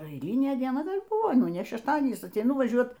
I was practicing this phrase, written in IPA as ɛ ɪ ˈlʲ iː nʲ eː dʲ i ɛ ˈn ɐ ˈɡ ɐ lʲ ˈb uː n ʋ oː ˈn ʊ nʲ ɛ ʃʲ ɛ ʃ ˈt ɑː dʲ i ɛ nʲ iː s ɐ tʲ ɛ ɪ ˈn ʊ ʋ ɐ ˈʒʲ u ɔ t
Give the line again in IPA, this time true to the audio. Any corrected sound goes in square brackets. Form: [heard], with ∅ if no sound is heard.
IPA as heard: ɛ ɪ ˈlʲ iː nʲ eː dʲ i ɛ ˈn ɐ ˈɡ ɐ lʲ ˈb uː [∅] ʋ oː ˈn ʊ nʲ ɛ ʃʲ ɛ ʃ ˈt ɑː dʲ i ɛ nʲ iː s ɐ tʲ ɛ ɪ ˈn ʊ ʋ ɐ ˈʒʲ u ɔ t